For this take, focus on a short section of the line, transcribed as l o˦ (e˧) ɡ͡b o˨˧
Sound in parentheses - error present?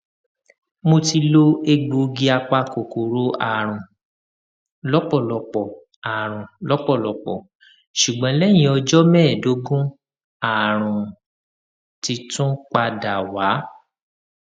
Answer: no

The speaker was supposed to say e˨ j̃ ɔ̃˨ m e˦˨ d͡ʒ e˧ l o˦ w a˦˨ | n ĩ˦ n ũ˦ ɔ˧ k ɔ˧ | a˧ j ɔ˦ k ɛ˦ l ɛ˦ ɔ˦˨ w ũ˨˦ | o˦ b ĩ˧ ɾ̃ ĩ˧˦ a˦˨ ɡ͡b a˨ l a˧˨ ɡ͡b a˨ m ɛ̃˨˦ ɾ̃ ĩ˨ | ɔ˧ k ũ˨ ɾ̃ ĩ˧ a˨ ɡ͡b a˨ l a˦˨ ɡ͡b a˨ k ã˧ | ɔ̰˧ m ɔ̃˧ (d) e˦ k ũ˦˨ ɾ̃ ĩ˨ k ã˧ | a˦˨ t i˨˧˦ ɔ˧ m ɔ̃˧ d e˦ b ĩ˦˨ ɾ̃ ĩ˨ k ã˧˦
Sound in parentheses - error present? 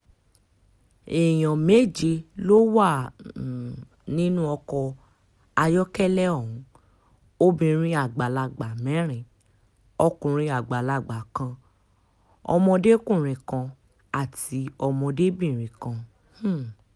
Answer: no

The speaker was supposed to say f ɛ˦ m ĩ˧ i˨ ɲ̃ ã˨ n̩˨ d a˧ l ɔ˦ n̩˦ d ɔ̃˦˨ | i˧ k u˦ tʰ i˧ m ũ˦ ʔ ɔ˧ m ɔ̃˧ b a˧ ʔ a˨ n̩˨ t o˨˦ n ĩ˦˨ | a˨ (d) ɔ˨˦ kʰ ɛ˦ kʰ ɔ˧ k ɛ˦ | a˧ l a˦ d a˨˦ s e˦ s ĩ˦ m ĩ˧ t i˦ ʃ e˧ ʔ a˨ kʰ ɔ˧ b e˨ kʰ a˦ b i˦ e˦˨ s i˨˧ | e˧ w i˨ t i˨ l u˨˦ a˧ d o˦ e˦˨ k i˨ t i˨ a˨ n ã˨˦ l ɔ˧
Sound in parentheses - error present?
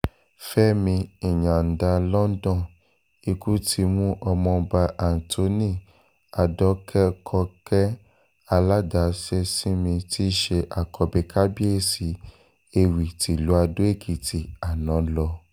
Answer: no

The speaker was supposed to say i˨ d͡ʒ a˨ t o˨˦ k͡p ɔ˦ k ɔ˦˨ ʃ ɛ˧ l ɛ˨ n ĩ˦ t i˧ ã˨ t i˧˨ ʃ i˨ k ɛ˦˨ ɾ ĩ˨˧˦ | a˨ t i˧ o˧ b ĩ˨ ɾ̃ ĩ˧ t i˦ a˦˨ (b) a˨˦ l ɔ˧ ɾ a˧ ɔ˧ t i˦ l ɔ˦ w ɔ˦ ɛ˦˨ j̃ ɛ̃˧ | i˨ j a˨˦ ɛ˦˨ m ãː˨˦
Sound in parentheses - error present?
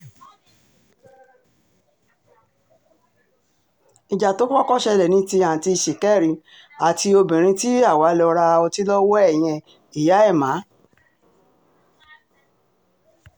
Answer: yes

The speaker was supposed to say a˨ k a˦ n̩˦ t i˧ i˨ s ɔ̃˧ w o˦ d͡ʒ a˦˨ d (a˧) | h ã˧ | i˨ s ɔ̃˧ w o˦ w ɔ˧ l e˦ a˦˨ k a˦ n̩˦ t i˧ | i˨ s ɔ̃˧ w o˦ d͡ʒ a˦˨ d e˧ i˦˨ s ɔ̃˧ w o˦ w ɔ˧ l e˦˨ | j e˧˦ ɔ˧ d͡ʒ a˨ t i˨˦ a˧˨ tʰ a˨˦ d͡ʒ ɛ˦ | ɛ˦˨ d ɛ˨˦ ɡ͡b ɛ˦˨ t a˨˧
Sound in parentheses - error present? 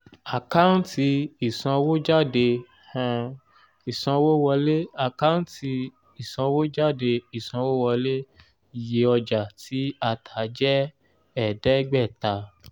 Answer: yes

